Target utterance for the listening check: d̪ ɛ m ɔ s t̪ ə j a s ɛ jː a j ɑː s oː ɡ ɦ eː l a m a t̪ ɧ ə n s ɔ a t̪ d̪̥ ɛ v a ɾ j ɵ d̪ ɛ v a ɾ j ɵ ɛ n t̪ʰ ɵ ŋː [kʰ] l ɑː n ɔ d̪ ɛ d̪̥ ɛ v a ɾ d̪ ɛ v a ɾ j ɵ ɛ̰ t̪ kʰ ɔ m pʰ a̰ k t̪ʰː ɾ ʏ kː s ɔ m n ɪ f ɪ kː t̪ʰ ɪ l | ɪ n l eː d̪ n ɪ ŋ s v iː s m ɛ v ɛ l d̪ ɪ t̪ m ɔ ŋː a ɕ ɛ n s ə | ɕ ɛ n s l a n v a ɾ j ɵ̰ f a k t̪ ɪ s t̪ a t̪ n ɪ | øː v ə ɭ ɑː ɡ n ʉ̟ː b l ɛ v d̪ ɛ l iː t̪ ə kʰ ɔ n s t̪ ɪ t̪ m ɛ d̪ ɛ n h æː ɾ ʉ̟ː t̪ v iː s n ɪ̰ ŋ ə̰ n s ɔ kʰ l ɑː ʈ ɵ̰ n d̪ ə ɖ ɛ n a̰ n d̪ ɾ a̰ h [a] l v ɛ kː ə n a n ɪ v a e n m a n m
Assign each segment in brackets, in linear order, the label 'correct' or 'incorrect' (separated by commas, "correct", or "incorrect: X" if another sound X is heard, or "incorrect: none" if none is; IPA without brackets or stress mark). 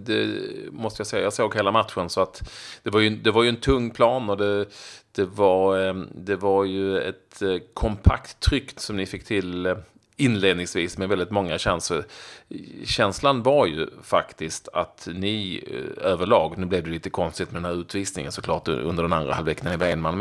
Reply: incorrect: pʰ, correct